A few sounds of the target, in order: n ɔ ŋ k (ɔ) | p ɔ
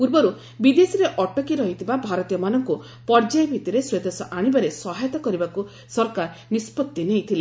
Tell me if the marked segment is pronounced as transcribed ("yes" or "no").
no